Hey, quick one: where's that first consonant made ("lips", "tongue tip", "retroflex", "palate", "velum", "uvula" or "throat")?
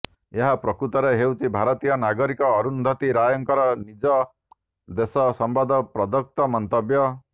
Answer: throat